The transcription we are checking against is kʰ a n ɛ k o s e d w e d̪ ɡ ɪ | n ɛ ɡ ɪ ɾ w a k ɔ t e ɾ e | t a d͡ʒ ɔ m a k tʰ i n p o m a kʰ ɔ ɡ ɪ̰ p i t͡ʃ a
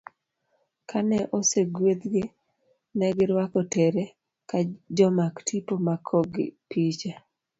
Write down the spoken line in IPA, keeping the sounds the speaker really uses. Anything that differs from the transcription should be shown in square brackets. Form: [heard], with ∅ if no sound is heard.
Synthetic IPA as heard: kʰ a n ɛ [ʔ] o s e [ɡ] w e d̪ ɡ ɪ | n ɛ ɡ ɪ ɾ w a k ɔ t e ɾ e | [k] a d͡ʒ ɔ m a k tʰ i [∅] p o m a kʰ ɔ ɡ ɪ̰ p i t͡ʃ a